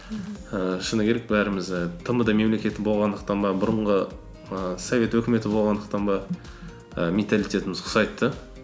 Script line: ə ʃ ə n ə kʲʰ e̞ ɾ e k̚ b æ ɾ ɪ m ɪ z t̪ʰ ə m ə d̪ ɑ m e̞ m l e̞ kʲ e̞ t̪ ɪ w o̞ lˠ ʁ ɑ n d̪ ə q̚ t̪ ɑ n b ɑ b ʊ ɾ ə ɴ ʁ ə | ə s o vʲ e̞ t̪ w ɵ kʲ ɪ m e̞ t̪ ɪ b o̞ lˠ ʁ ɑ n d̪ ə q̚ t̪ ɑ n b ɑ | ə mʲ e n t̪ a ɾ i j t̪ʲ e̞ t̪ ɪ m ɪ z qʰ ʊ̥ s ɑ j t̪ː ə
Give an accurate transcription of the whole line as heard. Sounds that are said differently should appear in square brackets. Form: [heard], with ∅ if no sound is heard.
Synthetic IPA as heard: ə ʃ ə n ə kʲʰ e̞ ɾ e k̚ b æ ɾ ɪ m ɪ z t̪ʰ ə m ə d̪ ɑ m e̞ m l e̞ kʲ e̞ t̪ ɪ [b] o̞ lˠ ʁ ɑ n d̪ ə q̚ t̪ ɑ n b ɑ b ʊ ɾ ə ɴ ʁ ə | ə s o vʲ e̞ t̪ w ɵ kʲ ɪ m e̞ t̪ ɪ b o̞ lˠ ʁ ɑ n d̪ ə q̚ t̪ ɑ n b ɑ | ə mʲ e n t̪ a [l] i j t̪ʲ e̞ t̪ ɪ m ɪ z qʰ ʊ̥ s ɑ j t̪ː ə